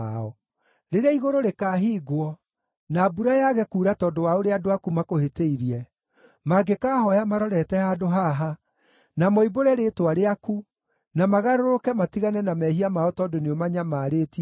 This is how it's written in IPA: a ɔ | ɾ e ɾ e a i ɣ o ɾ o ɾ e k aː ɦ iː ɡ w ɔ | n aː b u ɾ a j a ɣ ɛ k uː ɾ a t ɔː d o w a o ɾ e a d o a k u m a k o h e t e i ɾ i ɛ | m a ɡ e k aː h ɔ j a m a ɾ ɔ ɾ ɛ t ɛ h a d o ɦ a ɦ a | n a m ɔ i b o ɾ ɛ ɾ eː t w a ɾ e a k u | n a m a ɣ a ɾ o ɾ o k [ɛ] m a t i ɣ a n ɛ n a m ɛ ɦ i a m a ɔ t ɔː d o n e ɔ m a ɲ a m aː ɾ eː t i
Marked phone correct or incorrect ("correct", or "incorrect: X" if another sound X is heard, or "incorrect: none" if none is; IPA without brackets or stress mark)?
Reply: correct